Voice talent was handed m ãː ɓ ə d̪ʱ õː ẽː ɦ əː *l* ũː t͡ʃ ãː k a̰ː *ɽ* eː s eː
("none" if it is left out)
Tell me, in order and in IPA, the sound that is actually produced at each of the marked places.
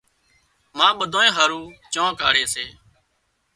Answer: ɾ, ɽ

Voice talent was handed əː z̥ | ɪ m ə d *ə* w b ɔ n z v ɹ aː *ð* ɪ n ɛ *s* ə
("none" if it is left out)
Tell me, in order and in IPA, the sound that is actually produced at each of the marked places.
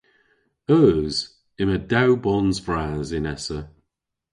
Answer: a, z, s

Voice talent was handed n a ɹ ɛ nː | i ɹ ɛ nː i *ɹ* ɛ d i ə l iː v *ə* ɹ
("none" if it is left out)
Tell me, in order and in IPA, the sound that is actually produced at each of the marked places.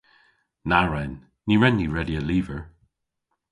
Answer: ɹ, ə

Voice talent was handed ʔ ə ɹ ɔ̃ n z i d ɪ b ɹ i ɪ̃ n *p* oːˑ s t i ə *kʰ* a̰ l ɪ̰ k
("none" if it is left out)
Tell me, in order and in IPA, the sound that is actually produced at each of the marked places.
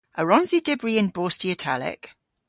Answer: b, tʰ

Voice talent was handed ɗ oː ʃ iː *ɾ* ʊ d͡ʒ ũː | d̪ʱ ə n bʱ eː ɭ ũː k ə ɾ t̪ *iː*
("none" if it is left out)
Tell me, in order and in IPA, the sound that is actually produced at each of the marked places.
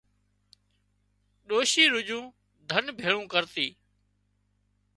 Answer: ɾ, iː

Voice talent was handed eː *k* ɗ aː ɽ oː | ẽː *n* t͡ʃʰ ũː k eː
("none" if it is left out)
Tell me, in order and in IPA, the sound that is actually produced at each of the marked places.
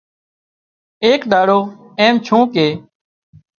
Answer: k, m

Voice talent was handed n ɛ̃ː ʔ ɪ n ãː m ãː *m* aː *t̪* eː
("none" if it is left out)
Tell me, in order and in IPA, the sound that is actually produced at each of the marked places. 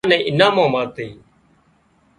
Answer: m, t̪

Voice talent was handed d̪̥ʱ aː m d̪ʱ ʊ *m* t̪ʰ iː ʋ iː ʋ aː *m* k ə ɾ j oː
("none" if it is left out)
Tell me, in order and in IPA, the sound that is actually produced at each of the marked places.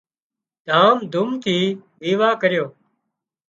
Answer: m, none

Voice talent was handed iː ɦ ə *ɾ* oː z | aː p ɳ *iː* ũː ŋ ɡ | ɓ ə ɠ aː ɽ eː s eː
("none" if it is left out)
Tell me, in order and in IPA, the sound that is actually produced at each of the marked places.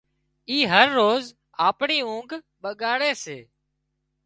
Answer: ɾː, iː

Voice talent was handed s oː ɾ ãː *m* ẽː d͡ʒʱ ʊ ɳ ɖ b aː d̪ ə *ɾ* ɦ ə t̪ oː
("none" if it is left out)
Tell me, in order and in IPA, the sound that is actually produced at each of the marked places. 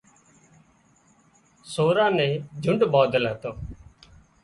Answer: n, l

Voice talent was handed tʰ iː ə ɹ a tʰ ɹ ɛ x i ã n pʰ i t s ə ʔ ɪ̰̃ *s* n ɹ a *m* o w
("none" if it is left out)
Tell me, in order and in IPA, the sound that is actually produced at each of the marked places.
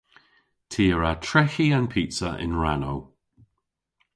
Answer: none, n

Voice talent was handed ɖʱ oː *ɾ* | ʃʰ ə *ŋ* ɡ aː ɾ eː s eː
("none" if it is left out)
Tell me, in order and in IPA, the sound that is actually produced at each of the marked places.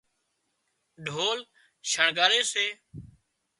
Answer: l, ɳ

